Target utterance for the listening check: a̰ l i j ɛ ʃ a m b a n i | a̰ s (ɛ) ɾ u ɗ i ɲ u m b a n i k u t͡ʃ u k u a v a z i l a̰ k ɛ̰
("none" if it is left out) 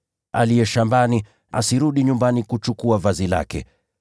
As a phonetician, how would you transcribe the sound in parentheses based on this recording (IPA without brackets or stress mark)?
i